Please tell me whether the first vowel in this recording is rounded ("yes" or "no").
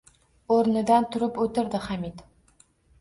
yes